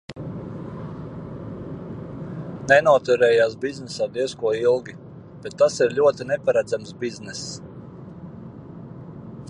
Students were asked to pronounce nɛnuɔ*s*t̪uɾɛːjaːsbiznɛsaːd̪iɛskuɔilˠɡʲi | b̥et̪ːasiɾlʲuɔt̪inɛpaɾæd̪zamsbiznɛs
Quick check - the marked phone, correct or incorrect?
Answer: incorrect